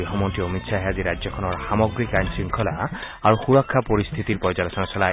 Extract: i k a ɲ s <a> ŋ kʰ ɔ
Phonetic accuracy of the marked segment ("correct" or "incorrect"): incorrect